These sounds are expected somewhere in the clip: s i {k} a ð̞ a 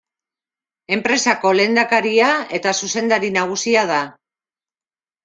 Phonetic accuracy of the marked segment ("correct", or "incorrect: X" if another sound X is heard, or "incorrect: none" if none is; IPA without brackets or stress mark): incorrect: none